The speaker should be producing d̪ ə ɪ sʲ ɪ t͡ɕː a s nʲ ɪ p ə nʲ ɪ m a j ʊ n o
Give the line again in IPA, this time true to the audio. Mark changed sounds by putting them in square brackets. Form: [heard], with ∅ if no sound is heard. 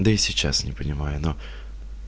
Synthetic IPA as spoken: d̪ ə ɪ sʲ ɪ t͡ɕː a s nʲ ɪ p ə nʲ ɪ m a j ʊ n o